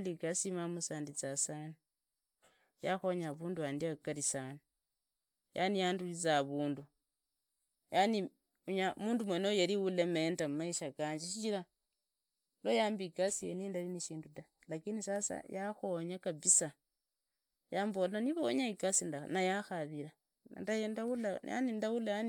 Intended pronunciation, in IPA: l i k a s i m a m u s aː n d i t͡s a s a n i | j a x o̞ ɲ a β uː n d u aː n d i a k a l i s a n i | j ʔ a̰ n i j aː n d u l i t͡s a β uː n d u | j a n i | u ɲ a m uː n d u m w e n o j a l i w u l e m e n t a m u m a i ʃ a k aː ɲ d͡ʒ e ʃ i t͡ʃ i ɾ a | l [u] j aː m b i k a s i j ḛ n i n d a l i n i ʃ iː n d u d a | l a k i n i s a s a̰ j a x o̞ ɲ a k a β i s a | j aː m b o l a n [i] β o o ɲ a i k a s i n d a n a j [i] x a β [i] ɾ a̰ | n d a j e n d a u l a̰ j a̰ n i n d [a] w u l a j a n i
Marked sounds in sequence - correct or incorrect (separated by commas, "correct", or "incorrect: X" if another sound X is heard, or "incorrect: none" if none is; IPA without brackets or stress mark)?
incorrect: o, correct, incorrect: a, correct, correct